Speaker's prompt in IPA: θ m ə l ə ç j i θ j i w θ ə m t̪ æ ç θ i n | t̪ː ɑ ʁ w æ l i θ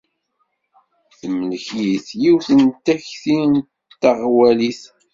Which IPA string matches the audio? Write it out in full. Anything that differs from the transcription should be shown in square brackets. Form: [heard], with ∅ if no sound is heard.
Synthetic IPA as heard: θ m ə l ə ç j i θ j i w θ ə [n] t̪ æ ç θ i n | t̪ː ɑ ʁ w æ l i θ